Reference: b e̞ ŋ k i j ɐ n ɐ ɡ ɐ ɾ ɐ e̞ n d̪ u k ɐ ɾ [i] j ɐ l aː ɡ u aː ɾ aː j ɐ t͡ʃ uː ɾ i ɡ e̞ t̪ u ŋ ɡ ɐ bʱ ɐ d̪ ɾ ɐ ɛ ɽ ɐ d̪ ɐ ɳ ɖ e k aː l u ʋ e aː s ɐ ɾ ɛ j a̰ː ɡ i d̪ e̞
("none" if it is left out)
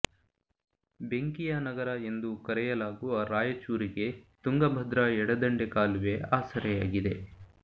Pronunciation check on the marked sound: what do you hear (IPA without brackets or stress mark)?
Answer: ɛ